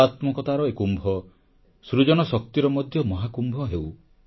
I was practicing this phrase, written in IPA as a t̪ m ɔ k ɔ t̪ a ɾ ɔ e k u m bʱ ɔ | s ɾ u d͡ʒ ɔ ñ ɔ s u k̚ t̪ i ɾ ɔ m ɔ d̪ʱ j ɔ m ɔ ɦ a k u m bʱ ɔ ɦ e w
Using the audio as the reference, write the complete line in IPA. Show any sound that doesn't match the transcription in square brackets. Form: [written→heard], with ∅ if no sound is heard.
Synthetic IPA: a t̪ m ɔ k ɔ t̪ a ɾ ɔ e k u m bʱ ɔ | s ɾ u d͡ʒ ɔ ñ ɔ s [u→ɔ] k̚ t̪ i ɾ ɔ m ɔ d̪ʱ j ɔ m ɔ ɦ a k u m bʱ ɔ ɦ e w